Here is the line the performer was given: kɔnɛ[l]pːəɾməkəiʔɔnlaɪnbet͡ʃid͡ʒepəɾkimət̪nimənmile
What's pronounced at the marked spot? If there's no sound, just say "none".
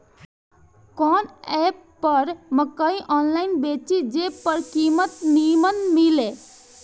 none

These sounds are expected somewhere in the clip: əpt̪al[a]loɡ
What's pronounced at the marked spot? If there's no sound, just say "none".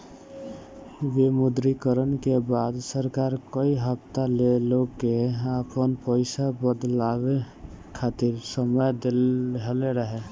e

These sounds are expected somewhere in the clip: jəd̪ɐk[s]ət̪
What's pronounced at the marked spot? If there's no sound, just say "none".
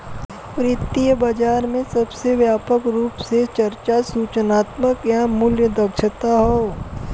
ʃ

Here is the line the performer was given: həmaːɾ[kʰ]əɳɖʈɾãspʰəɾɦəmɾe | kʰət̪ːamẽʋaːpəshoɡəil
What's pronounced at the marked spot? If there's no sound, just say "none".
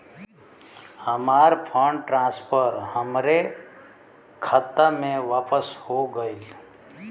pʰ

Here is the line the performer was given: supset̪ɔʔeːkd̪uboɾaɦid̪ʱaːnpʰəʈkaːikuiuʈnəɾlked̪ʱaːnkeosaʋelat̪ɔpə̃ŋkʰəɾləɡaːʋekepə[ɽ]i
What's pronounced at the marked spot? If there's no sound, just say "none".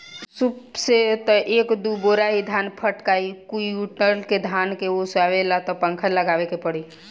ɽ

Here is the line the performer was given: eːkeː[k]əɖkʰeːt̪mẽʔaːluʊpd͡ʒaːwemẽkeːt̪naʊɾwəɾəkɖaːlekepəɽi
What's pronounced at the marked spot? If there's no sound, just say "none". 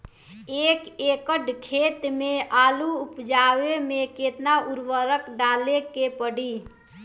k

